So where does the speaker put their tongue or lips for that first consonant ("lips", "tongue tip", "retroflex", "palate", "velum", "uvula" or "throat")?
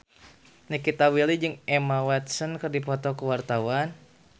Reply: tongue tip